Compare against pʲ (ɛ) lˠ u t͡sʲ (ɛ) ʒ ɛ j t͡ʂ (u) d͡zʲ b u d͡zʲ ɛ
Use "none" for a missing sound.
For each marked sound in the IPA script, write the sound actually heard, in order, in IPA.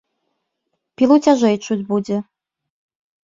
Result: i, a, u

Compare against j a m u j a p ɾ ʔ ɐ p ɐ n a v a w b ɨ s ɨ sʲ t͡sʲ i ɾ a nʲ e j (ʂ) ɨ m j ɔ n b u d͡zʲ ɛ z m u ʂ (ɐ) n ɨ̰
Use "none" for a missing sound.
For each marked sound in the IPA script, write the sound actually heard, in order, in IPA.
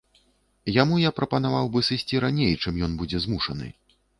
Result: t͡ʂ, ɐ

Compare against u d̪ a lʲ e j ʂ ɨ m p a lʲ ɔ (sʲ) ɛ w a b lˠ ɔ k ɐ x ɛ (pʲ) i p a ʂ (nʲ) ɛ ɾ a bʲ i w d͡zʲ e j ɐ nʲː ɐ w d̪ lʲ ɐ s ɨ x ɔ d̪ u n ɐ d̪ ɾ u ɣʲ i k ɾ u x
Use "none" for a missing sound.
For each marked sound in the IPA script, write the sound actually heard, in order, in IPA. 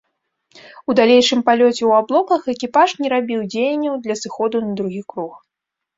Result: t͡sʲ, kʲ, nʲ

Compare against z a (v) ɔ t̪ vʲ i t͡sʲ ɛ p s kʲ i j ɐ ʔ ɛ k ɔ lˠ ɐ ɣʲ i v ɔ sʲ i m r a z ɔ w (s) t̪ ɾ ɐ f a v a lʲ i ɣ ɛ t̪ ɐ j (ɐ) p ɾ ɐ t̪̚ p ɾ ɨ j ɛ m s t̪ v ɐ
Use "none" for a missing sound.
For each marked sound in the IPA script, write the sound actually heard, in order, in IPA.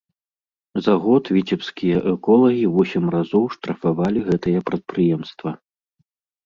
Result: ɣ, ʂ, ɐ

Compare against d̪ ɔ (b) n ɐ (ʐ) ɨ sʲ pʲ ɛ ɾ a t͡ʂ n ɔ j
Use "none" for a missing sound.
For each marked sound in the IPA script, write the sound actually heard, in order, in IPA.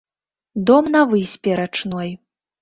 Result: m, v

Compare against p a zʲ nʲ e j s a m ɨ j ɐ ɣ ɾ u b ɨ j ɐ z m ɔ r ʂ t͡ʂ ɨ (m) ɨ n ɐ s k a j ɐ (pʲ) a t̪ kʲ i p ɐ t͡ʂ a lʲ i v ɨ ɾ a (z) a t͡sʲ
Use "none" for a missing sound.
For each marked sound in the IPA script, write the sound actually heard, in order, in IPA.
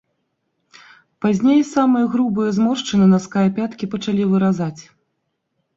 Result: n, pʲ, z

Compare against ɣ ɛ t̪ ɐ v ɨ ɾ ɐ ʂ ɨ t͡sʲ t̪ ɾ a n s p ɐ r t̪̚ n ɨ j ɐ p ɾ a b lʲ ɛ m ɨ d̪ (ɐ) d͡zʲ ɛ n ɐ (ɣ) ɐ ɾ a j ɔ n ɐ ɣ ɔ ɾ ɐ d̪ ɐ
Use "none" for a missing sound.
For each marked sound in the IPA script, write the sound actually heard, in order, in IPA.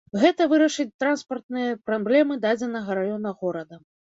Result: a, ɣ

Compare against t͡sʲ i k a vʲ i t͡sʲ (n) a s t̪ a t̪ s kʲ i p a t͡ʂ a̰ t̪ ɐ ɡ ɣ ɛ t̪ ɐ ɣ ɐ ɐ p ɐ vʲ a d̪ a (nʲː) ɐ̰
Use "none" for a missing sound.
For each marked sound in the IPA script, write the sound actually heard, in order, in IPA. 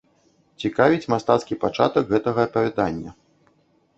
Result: m, nʲː

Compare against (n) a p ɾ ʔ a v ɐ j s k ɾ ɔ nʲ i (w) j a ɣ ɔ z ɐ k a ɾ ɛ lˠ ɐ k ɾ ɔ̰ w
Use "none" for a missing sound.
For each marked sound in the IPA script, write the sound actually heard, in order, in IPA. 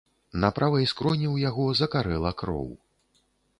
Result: n, w

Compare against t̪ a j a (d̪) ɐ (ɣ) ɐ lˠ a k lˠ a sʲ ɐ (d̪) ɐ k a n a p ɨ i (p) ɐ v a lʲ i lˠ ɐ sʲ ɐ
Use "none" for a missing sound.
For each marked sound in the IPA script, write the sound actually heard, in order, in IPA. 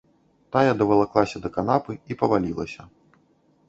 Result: d̪, v, d̪, p

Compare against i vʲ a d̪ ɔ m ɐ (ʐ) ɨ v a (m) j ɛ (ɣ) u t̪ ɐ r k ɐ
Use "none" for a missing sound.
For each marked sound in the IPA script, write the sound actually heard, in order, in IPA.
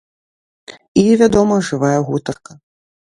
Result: ʐ, none, ɣ

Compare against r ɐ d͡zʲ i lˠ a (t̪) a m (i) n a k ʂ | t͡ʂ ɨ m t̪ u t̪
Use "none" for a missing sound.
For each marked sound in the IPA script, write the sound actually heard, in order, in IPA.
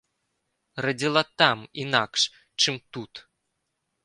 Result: t̪, i

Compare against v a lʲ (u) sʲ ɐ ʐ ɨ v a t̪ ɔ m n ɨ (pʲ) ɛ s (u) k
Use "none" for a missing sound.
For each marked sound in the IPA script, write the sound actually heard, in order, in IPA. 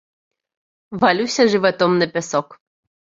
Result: u, pʲ, ɔ

